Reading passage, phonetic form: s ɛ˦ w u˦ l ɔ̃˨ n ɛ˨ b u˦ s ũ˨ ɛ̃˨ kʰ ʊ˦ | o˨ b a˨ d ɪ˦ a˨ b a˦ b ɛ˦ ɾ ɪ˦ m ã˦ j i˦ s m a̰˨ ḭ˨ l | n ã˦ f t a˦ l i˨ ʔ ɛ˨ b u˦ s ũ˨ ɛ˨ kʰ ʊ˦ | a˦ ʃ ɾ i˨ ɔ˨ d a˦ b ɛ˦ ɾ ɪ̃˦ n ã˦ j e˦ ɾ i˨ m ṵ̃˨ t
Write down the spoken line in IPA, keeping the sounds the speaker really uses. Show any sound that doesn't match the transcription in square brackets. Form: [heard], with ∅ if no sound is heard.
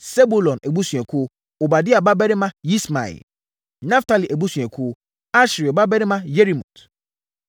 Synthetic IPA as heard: s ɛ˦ [b] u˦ l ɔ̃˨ n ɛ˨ b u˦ s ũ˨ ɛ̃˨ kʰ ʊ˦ | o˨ b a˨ d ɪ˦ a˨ b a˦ b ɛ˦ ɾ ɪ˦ m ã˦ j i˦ s m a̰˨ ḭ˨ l | n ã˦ f t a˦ l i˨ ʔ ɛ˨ b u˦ s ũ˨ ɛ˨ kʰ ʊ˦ | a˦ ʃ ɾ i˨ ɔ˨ [b] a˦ b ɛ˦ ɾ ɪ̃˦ [m] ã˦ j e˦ ɾ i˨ m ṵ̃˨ t